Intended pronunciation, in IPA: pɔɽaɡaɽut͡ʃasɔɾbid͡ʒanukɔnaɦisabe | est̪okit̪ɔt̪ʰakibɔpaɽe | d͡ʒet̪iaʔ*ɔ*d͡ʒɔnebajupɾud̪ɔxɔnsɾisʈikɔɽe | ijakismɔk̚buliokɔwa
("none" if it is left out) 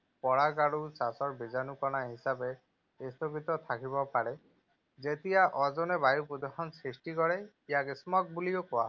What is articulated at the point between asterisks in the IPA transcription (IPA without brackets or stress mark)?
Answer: ɔ